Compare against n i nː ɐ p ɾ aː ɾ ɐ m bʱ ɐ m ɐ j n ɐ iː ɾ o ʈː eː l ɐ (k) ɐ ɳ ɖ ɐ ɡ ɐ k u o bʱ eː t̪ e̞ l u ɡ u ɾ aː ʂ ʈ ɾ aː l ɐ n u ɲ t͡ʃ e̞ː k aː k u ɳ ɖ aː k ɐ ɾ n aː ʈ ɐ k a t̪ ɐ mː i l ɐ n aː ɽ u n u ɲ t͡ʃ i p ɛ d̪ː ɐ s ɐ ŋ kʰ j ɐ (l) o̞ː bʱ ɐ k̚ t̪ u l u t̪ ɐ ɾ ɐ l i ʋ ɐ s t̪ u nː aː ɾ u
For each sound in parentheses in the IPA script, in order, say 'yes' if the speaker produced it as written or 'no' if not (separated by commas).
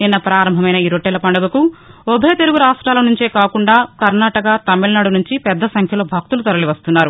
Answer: no, yes